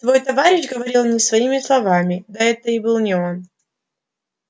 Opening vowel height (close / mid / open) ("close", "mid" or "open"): mid